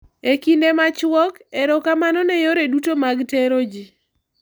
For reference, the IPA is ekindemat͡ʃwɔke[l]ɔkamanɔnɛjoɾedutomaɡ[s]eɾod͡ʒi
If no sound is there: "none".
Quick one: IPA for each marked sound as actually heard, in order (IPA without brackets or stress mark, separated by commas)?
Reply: ɾ, t